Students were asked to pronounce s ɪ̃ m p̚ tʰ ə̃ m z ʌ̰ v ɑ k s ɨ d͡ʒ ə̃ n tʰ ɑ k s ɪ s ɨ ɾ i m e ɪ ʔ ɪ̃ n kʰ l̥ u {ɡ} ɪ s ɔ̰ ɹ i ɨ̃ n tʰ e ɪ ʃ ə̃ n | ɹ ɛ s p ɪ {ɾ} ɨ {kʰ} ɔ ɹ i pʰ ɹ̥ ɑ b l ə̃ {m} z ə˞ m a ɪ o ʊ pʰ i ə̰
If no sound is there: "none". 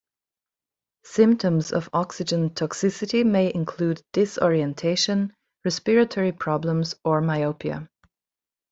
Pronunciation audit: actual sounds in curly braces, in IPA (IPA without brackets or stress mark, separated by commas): d, ɹ, tʰ, m